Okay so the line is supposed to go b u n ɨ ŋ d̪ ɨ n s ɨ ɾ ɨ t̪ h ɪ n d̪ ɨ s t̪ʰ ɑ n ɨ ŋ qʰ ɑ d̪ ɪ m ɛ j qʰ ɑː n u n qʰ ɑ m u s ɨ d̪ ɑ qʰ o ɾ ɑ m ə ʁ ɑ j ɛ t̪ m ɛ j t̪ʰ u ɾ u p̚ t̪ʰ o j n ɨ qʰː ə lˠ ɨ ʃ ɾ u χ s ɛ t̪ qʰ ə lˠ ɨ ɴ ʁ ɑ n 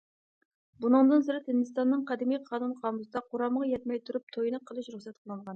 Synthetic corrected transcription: b u n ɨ ŋ d̪ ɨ n s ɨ ɾ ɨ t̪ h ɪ n d̪ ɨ s t̪ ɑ nː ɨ ŋ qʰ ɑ d̪ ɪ m i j qʰ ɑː n u n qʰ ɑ m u s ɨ d̪ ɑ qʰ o ɾ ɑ m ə ʁ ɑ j ɛ t̪ m ɛ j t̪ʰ u ɾ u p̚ t̪ʰ o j n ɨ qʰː ə lˠ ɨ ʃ ɾ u χ s ɛ t̪ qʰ ə lˠ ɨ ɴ ʁ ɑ n